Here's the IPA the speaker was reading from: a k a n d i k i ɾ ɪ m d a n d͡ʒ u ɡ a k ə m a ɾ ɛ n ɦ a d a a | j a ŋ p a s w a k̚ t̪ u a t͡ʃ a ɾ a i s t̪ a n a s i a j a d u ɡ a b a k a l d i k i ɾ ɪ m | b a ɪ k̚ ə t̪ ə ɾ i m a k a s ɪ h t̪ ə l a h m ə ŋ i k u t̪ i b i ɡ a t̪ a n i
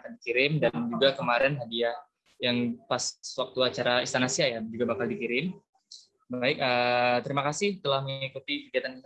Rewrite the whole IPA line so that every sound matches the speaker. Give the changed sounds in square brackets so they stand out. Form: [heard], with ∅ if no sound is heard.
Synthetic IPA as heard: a k a n d i k i ɾ ɪ m d a n d͡ʒ u ɡ a k ə m a ɾ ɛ n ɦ a d [i] a | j a ŋ p a s w a k̚ t̪ u a t͡ʃ a ɾ a i s t̪ a n a s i a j a [d͡ʒ] u ɡ a b a k a l d i k i ɾ ɪ m | b a ɪ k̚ ə t̪ ə ɾ i m a k a s ɪ h t̪ ə l a h m ə ŋ i k u t̪ i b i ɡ a t̪ a n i